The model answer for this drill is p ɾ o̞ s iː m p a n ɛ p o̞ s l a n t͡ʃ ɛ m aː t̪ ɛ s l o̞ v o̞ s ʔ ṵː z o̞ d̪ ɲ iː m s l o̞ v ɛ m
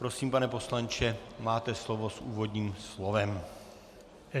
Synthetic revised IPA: p ɾ o̞ s iː m p a n ɛ p o̞ s l a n t͡ʃ ɛ m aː t̪ ɛ s l o̞ v o̞ s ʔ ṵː v o̞ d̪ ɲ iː m s l o̞ v ɛ m